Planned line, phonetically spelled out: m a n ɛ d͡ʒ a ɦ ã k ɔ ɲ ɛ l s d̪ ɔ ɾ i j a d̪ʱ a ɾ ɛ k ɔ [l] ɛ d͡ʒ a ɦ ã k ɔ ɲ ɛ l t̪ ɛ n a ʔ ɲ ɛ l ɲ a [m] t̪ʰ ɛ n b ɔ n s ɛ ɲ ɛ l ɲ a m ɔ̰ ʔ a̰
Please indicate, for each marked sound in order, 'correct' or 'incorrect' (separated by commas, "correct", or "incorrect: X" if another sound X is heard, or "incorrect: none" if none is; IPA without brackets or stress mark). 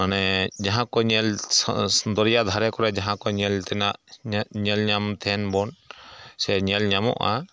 incorrect: ɾ, correct